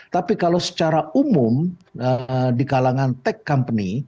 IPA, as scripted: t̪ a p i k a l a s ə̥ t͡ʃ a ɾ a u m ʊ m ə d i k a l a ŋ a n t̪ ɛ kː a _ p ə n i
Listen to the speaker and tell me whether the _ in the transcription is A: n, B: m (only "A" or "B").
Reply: B